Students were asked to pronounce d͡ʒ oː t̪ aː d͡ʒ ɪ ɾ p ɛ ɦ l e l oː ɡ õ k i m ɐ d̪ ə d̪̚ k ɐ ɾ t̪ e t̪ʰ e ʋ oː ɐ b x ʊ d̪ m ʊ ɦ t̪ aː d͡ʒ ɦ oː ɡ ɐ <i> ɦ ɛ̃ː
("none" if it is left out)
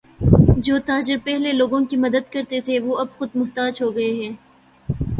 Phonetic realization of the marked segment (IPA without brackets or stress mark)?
e